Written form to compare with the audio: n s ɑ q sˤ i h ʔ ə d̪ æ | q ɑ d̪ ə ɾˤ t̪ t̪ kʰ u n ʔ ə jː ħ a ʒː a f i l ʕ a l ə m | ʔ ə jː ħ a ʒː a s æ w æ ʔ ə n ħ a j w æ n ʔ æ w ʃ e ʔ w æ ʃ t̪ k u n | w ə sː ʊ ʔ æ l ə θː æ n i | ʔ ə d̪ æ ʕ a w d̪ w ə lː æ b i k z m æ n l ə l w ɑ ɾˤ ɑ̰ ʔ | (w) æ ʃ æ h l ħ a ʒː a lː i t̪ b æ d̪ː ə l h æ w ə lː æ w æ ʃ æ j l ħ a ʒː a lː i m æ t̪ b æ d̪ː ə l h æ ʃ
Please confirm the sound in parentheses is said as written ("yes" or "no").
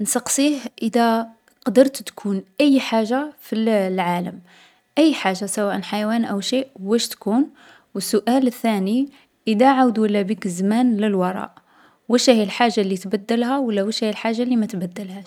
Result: yes